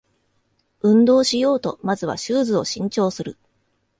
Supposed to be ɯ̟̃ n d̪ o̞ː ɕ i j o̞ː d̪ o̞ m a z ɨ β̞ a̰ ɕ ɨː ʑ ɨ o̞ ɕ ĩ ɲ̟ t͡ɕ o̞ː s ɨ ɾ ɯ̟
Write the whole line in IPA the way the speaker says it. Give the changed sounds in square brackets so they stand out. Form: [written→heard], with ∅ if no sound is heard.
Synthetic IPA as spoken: ɯ̟̃ n d̪ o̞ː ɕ i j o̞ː [d̪→t̪] o̞ m a z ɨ β̞ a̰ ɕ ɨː [ʑ→z] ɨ o̞ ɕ ĩ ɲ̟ t͡ɕ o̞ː s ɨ ɾ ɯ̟